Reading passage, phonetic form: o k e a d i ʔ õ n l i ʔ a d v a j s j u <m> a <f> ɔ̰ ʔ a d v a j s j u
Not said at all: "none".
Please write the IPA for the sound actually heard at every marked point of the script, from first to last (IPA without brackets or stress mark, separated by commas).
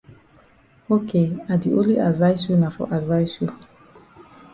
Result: n, f